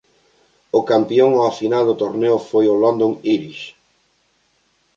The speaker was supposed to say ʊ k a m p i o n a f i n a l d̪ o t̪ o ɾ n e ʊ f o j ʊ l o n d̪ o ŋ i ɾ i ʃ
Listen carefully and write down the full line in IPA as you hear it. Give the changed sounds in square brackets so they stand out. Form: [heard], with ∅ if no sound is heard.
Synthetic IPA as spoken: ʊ k a m p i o [ŋ] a f i n a l d̪ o t̪ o ɾ n e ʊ f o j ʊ l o n d̪ o ŋ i ɾ i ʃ